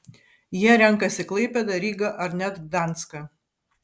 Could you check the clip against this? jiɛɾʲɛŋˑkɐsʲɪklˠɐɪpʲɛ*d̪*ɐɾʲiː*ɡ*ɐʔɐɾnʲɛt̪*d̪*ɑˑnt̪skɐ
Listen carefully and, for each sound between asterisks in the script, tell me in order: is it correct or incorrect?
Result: correct, correct, correct

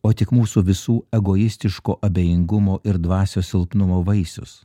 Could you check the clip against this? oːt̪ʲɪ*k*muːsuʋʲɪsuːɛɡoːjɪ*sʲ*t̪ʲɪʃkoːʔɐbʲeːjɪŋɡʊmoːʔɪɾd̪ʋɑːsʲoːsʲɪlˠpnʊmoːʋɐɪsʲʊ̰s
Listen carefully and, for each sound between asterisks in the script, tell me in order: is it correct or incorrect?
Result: correct, correct

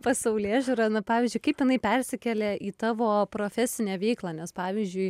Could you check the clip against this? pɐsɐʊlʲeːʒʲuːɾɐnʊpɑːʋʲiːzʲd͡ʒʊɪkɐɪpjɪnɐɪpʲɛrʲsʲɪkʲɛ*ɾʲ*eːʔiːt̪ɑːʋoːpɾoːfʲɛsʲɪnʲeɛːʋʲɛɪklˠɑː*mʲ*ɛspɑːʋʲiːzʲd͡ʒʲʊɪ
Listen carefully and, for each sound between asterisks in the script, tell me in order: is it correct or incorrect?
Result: incorrect: lʲ, incorrect: nʲ

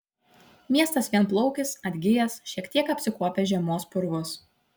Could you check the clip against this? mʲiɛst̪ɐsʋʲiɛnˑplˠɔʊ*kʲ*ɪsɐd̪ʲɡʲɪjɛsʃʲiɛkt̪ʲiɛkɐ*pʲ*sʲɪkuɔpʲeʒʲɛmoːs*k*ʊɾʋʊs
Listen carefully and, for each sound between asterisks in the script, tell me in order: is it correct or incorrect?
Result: correct, correct, incorrect: p

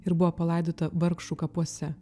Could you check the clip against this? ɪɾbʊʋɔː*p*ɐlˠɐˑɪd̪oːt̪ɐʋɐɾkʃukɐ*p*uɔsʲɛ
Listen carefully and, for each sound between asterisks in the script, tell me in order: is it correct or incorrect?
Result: correct, correct

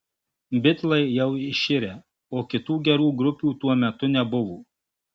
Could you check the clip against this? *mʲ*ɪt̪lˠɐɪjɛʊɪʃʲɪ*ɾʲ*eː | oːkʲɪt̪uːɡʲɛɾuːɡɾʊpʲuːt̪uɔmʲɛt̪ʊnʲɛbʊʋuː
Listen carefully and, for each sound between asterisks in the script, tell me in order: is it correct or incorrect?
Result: incorrect: bʲ, correct

